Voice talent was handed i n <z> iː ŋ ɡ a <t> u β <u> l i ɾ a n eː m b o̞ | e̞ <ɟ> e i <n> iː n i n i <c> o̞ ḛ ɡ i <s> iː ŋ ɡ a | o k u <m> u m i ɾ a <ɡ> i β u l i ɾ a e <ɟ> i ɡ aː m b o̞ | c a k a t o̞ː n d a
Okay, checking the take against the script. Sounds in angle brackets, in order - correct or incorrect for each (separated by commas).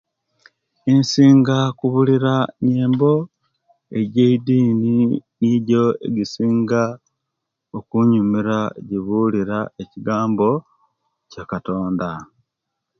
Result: incorrect, incorrect, correct, correct, incorrect, incorrect, correct, incorrect, incorrect, incorrect